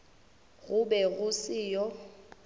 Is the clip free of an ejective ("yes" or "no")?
yes